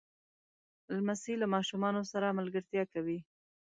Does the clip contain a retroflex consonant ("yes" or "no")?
no